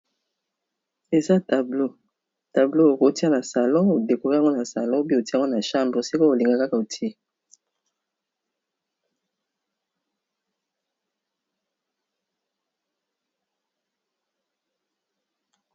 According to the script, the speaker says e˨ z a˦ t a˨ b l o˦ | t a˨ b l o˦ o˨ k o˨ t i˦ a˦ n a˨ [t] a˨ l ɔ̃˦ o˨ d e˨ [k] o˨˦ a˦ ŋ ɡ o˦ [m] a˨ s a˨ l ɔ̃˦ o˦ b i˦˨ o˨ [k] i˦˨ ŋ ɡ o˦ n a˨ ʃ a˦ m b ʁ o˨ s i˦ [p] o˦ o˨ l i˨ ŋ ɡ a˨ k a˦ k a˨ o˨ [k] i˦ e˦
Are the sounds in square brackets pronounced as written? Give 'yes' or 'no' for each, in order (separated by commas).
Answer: no, yes, no, no, no, no